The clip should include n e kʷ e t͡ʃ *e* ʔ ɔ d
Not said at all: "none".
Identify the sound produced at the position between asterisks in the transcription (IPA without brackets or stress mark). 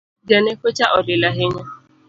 a